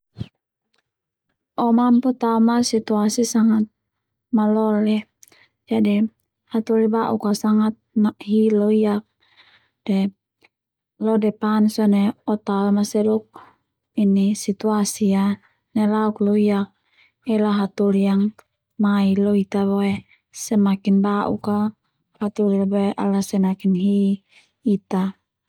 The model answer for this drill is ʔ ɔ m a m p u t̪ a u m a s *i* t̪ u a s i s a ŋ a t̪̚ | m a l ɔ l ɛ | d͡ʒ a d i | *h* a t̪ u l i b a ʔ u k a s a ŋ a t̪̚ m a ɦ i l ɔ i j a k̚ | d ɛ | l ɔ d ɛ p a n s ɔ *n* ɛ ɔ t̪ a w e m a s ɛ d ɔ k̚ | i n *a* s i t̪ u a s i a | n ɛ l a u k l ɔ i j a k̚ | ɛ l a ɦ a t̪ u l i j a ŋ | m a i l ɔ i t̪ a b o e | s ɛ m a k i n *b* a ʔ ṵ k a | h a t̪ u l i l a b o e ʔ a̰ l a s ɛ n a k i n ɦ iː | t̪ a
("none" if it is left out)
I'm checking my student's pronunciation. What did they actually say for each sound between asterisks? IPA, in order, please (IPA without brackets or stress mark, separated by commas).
i, h, n, i, b